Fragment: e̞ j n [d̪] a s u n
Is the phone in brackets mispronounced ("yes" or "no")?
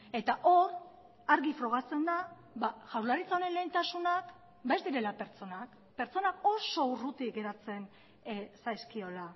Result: yes